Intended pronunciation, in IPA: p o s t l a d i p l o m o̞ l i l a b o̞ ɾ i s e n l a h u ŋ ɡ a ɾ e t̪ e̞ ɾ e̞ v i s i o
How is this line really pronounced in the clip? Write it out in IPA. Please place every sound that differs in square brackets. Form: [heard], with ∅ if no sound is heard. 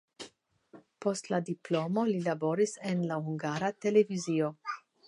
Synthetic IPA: p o s t l a d i p l o m o̞ l i l a b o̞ ɾ i s e n l a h u ŋ ɡ a ɾ [a] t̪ e̞ [l] e̞ v i [z] i o